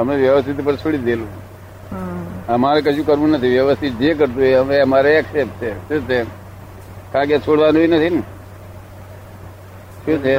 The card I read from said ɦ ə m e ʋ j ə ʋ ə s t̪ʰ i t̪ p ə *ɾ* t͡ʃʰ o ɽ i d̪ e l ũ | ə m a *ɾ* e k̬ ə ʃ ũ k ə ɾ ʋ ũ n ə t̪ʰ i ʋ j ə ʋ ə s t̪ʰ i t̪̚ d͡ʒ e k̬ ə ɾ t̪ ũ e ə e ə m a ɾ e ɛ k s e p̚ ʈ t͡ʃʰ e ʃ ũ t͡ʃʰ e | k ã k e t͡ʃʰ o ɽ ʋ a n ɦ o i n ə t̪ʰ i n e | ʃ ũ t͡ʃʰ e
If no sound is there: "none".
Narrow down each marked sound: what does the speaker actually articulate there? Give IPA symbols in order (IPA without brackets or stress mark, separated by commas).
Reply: ɾ, ɾ